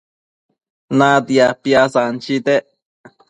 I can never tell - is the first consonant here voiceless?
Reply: no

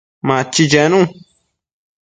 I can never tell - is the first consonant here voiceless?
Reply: no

